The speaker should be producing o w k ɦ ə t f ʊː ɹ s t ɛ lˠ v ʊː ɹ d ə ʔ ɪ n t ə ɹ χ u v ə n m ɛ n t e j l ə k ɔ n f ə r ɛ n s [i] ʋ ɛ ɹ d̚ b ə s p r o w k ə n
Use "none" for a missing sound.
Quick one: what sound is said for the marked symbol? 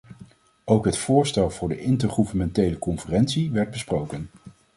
i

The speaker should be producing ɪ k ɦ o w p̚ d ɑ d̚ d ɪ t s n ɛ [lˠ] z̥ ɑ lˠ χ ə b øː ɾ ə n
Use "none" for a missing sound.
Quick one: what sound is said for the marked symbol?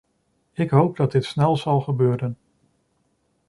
lˠ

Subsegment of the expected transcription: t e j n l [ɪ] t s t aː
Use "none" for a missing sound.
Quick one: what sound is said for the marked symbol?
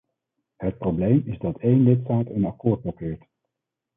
ɪ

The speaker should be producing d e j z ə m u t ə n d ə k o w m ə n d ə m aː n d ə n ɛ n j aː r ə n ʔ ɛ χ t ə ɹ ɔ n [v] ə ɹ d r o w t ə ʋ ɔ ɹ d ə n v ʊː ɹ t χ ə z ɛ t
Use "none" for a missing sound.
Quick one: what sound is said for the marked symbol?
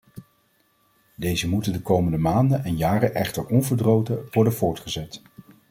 v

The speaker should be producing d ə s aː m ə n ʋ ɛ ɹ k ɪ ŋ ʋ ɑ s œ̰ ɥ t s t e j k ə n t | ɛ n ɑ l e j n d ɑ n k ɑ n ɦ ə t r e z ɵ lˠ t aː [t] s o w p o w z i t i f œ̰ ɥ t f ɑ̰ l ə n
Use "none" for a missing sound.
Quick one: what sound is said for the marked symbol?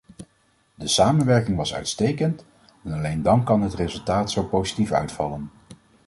t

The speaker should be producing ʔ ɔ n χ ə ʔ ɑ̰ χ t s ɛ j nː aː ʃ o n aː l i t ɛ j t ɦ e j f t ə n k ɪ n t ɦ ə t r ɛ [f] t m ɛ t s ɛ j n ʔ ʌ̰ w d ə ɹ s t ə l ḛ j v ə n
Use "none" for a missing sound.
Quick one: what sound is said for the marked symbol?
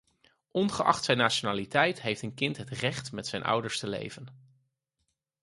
χ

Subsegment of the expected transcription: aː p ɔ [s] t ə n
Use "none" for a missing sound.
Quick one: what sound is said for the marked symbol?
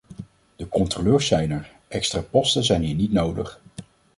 s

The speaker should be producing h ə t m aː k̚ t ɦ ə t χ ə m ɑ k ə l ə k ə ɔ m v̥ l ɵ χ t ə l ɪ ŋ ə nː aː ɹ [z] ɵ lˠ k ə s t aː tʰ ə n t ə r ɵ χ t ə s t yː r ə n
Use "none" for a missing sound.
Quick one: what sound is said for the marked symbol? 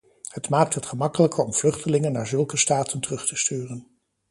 z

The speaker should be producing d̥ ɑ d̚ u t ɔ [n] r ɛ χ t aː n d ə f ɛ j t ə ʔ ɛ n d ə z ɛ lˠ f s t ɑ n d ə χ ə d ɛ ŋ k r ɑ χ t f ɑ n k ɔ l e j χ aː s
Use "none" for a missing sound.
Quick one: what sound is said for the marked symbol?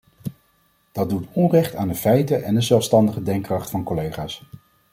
n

